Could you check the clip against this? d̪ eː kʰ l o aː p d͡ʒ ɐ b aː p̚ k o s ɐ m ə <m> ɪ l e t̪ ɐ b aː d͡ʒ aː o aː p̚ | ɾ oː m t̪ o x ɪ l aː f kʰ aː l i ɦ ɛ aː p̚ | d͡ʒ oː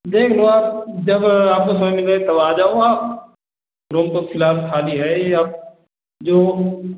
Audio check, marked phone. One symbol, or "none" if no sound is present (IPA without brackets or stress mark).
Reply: m